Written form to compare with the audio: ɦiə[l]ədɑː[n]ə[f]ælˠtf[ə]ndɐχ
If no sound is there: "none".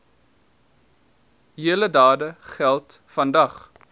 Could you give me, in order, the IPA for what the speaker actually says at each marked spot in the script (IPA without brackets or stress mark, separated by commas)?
l, d, χ, ɐ